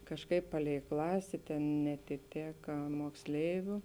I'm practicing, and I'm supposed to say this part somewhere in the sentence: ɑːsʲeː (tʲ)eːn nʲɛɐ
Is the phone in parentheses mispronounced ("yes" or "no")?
no